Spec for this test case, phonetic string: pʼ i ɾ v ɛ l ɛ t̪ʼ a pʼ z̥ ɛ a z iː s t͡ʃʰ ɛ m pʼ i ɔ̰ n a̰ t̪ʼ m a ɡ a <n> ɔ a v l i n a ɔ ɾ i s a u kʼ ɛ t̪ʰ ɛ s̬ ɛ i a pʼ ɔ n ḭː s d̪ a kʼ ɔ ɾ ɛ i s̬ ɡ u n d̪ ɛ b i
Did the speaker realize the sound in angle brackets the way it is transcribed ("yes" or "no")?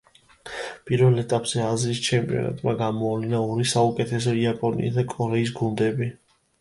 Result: no